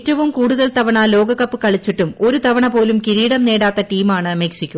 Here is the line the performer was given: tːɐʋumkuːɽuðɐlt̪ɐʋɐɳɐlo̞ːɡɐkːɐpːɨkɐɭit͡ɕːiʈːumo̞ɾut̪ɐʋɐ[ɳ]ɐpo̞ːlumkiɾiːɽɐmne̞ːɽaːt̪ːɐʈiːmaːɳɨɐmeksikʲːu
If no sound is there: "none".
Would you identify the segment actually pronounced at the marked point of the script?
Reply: ɳ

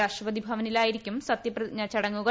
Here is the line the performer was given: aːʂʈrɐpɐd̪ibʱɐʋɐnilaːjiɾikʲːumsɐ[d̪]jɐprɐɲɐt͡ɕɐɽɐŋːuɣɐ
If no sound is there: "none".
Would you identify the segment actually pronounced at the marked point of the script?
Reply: t̪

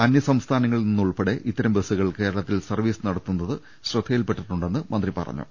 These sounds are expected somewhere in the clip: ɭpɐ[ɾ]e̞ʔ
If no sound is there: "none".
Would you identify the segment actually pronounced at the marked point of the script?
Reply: ɽ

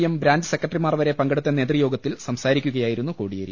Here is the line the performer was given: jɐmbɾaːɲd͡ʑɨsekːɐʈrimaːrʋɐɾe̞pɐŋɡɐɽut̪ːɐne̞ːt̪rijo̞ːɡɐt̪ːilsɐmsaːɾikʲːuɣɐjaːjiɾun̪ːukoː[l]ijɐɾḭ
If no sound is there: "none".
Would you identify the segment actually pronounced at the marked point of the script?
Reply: ɽ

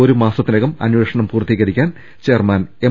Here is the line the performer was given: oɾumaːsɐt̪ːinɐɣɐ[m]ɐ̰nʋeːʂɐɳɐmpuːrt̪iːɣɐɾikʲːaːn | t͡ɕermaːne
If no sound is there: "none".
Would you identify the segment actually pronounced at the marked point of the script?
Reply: m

